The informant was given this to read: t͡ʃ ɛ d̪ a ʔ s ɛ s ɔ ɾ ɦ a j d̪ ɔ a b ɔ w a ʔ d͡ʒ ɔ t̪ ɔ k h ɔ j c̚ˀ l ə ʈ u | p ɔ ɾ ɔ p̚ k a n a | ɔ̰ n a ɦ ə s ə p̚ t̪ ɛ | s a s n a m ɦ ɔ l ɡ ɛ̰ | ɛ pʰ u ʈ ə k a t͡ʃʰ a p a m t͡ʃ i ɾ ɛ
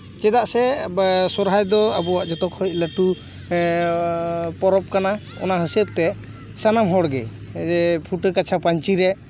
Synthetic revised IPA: t͡ʃ ɛ d̪ a ʔ s ɛ s ɔ ɾ ɦ a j d̪ ɔ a b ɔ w a ʔ d͡ʒ ɔ t̪ ɔ k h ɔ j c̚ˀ l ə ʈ u | p ɔ ɾ ɔ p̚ k a n a | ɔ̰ n a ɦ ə s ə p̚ t̪ ɛ | s a n a m ɦ ɔ ɽ ɡ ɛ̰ | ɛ pʰ u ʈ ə k a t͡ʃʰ a p a ɲ t͡ʃ i ɾ ɛ